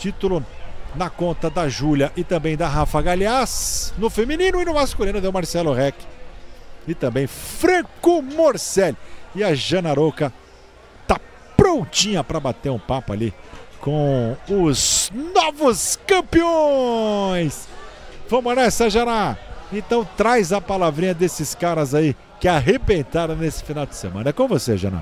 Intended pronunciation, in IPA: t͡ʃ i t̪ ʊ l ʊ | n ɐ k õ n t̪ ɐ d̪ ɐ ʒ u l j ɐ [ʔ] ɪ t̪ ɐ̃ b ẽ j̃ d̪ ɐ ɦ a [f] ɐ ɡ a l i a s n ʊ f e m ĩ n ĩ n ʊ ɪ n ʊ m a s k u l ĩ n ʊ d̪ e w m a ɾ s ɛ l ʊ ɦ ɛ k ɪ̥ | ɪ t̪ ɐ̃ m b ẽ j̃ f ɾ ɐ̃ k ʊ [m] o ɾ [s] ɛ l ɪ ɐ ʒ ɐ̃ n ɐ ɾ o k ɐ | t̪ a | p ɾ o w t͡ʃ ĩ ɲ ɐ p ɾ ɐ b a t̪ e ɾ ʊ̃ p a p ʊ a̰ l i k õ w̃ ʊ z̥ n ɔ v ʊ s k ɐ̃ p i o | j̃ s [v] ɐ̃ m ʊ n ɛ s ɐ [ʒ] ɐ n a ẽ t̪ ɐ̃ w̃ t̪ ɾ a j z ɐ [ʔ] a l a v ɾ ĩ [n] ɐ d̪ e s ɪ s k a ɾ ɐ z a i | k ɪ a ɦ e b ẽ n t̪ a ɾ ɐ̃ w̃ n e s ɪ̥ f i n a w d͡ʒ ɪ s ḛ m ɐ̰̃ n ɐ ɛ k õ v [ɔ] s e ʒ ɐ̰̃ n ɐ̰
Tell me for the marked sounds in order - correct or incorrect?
correct, correct, correct, correct, correct, correct, incorrect, incorrect, incorrect

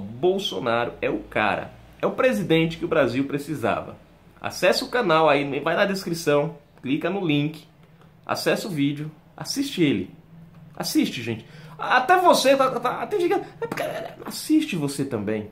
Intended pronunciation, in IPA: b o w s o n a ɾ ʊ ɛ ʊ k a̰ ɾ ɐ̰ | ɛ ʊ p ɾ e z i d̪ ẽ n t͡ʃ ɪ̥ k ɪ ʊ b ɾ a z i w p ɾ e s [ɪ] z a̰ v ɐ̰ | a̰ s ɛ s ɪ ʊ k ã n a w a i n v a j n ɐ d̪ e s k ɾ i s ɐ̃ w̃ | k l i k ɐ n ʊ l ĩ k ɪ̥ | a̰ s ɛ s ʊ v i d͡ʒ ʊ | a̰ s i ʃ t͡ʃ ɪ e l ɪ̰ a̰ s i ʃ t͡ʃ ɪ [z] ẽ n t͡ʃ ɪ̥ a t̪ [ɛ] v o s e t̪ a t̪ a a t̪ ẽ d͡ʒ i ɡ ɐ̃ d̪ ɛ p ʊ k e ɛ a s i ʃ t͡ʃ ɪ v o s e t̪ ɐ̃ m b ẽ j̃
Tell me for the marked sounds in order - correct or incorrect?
incorrect, incorrect, correct

